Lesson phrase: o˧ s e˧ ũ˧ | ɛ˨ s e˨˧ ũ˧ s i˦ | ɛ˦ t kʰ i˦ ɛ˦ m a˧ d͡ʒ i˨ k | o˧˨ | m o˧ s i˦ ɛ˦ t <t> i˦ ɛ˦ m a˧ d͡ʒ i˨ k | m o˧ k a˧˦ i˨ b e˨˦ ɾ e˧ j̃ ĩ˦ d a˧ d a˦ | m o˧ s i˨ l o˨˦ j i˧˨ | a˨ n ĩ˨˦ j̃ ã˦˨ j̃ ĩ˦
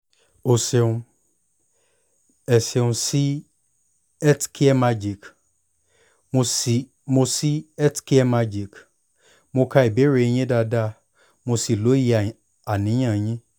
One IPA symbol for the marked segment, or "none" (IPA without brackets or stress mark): k